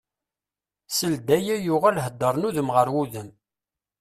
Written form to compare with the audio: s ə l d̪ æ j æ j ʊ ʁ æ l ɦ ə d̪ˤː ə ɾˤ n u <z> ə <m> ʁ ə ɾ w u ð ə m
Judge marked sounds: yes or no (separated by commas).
no, yes